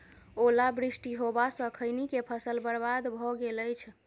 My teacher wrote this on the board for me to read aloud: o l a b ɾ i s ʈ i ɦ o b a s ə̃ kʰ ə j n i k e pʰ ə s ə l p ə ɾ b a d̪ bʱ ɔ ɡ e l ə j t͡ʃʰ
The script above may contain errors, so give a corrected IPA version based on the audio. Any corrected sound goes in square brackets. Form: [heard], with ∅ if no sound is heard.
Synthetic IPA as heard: o l a b ɾ i s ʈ i ɦ o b a s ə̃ kʰ ə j n i k e pʰ ə s ə l [b] ə ɾ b a d̪ bʱ ɔ ɡ e l ə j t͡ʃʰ